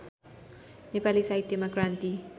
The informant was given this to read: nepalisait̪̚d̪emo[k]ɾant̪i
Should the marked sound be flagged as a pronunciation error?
no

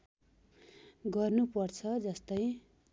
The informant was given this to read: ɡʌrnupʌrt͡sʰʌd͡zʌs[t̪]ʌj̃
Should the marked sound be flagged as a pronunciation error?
no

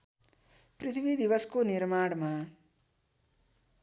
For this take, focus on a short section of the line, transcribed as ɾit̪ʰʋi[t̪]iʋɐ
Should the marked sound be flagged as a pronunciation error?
yes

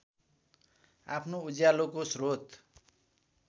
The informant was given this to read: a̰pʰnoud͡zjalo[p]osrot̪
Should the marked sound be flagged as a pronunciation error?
yes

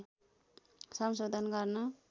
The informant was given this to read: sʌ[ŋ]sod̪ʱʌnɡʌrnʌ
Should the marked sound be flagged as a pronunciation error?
yes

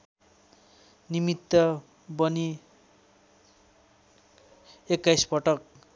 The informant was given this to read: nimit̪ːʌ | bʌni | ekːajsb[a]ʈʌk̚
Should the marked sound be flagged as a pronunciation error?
yes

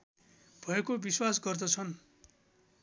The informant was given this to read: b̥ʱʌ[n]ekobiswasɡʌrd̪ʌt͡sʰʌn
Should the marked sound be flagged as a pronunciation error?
yes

